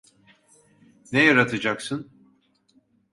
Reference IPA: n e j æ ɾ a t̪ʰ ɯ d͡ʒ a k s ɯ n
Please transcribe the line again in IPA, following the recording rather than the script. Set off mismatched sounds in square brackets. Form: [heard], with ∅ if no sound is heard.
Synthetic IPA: n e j [a] ɾ a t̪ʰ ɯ d͡ʒ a k s ɯ n